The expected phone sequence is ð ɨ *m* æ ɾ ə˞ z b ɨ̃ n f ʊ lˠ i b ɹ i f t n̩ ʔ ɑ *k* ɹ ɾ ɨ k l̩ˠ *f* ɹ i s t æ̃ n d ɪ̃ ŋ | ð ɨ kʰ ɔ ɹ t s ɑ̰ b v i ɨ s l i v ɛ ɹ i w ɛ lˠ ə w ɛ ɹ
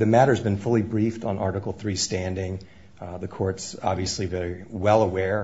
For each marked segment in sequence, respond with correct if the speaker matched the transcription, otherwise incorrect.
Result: correct, incorrect, incorrect

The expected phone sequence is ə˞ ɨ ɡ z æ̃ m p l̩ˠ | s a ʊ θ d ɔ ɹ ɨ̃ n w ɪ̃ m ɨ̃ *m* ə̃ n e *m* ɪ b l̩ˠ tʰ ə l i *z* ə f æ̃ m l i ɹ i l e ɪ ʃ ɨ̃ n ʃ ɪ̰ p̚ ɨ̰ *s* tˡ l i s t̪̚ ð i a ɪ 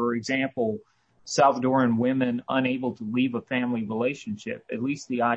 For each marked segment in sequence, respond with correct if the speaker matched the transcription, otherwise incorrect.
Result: incorrect, incorrect, incorrect, incorrect

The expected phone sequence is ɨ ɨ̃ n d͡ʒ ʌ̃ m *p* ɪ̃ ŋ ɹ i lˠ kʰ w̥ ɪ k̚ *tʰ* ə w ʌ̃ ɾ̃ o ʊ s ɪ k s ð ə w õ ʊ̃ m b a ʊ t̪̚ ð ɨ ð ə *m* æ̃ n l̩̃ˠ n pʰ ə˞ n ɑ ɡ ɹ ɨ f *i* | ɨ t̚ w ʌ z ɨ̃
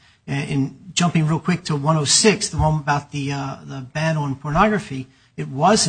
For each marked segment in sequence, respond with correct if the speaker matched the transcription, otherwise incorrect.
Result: correct, correct, incorrect, correct

